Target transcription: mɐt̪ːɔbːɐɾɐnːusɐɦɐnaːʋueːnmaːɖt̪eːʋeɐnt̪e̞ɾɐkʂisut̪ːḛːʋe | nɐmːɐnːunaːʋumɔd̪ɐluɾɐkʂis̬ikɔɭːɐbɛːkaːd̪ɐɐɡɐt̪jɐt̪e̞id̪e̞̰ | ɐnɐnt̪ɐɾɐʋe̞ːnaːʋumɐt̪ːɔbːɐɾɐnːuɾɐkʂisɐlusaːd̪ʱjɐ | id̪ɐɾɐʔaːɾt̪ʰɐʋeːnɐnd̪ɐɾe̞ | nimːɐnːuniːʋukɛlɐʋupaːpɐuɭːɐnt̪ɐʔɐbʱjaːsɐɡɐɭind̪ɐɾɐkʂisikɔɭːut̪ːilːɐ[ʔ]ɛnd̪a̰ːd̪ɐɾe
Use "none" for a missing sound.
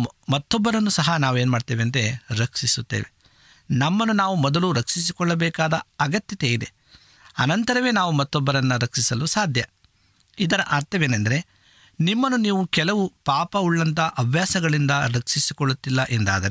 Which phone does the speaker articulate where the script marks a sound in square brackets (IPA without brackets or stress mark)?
ʔ